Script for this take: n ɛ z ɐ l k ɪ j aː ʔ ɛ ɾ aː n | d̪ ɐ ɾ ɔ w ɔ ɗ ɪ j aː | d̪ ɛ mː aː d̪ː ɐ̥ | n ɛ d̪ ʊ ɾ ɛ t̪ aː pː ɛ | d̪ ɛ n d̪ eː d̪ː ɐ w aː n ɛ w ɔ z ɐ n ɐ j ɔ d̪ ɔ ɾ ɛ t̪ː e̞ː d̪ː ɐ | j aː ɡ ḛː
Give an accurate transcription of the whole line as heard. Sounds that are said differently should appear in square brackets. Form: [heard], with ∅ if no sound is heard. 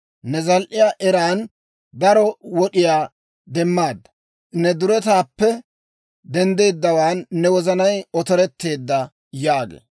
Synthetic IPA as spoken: n ɛ z ɐ l [ʔ] ɪ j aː ʔ ɛ ɾ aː n | d̪ ɐ ɾ ɔ w ɔ ɗ ɪ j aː | d̪ ɛ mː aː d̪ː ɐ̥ | n ɛ d̪ ʊ ɾ ɛ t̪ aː pː ɛ | d̪ ɛ n d̪ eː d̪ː ɐ w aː [nː] ɛ w ɔ z ɐ n ɐ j ɔ [t̪] ɔ ɾ ɛ t̪ː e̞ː d̪ː ɐ | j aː ɡ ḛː